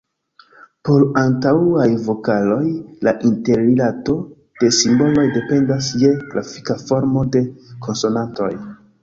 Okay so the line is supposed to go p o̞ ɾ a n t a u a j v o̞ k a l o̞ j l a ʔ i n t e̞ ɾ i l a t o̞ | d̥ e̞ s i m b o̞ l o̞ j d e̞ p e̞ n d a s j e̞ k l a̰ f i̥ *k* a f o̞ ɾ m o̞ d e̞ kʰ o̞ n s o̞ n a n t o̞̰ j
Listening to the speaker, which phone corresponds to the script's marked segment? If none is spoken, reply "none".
k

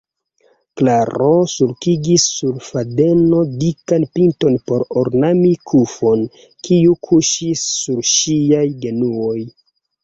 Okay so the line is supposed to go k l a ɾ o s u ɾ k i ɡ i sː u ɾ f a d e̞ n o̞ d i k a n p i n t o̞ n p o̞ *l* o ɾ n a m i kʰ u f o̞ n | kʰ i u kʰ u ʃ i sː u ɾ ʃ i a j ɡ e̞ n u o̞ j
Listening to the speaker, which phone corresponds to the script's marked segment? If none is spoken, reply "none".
ɾ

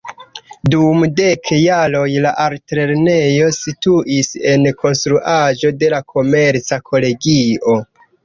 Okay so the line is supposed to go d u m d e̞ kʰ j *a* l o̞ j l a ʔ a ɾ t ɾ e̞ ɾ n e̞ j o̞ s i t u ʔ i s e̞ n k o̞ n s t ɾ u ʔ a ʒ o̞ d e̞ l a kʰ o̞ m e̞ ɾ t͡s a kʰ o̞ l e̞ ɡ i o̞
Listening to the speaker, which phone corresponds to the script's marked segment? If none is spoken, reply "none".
a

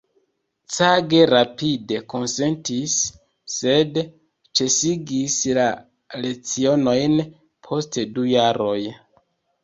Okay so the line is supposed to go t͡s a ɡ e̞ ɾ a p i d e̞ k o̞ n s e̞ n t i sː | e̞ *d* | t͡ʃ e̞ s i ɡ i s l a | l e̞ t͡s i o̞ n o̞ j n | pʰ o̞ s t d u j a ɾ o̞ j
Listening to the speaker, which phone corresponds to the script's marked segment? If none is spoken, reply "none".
d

